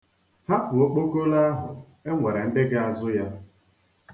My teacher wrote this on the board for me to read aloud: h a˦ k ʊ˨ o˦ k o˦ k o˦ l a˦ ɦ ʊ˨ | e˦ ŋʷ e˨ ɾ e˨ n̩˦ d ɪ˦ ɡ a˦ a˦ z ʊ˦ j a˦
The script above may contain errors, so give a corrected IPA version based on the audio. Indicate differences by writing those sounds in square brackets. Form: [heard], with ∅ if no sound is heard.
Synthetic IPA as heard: h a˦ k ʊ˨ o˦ [k͡p] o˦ k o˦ l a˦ ɦ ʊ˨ | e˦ ŋʷ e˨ ɾ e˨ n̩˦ d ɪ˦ ɡ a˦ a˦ z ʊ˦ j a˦